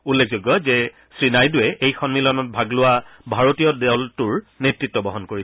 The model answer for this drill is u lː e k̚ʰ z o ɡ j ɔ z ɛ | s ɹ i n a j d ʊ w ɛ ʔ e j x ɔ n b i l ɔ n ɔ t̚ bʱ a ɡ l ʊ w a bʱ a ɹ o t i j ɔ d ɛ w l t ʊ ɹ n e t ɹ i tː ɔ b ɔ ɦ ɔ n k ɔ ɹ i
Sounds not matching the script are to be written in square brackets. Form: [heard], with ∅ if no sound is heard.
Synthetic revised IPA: u lː e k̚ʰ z o ɡ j ɔ z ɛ | s ɹ i n a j d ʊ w ɛ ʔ e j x ɔ n [m] i l ɔ n ɔ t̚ bʱ a ɡ l ʊ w a bʱ a ɹ o t i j ɔ d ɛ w l t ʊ ɹ n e t ɹ i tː ɔ b ɔ ɦ ɔ n k [o] ɹ i